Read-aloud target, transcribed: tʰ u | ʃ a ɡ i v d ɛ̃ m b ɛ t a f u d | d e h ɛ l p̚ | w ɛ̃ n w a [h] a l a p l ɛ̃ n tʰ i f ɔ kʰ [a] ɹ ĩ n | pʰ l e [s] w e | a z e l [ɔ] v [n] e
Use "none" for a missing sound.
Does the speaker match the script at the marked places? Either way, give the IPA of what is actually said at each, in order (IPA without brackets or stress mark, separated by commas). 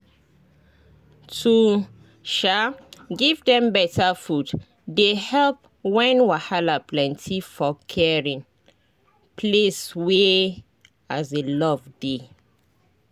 h, ɛ, s, ɔ, d